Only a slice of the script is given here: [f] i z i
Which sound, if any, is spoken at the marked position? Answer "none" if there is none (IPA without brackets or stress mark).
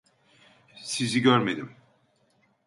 s